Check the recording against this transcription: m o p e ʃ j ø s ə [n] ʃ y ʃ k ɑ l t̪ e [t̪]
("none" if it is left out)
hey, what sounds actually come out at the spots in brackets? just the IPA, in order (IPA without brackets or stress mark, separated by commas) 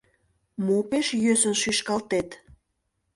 n, t̪